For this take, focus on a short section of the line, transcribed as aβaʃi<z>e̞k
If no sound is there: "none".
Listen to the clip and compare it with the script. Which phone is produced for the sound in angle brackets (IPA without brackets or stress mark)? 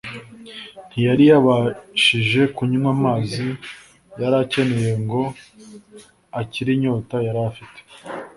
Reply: ʒ